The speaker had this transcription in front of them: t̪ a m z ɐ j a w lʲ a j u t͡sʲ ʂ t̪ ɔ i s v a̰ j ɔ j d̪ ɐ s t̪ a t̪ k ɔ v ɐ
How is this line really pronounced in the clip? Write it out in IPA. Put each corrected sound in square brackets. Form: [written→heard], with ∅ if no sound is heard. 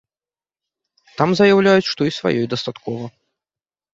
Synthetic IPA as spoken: t̪ a m z ɐ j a w lʲ a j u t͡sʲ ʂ t̪ ɔ i s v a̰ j ɔ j d̪ ɐ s t̪ a t̪ k ɔ v ɐ